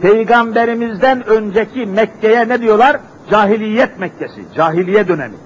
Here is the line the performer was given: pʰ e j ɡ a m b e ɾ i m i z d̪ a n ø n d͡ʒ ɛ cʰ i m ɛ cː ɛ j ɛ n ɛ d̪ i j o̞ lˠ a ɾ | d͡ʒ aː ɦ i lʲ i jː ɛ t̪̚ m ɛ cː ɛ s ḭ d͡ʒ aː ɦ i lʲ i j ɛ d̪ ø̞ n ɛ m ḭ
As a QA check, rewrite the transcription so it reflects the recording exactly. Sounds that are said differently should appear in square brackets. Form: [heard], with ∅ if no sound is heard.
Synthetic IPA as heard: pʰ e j ɡ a m b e ɾ i m i z d̪ [æ] n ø n d͡ʒ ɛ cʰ i m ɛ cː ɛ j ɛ n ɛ d̪ i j o̞ lˠ a ɾ | d͡ʒ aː ɦ i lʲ i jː ɛ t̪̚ m ɛ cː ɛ s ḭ d͡ʒ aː ɦ i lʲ i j ɛ d̪ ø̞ n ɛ m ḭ